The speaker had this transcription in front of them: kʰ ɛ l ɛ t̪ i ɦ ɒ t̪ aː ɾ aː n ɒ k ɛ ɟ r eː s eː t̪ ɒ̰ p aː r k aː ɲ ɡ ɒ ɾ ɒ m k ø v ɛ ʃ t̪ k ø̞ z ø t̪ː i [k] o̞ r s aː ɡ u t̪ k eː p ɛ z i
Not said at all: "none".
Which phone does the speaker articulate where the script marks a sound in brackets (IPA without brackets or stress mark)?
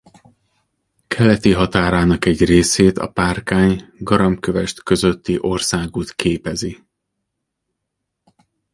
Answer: ʔ